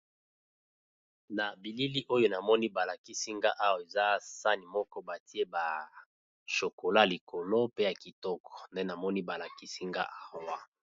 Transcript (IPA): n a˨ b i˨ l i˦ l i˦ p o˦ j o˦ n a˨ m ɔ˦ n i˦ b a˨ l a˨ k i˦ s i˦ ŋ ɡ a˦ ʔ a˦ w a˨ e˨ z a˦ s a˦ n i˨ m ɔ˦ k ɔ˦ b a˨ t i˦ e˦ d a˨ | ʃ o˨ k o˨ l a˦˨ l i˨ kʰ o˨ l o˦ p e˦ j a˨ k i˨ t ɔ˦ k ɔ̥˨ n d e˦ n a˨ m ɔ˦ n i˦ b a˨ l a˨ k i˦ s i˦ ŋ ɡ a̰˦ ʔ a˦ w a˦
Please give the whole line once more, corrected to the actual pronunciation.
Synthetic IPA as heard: n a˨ b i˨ l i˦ l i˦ ʔ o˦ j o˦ n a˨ m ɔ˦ n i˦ b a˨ l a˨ k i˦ s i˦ ŋ ɡ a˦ ʔ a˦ w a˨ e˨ z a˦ s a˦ n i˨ m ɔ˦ k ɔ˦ b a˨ t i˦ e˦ b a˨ | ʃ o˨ k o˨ l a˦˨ l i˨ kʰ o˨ l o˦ p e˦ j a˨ k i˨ t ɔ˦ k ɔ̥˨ n d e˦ n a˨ m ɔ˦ n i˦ b a˨ l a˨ k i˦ s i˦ ŋ ɡ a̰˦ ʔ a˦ w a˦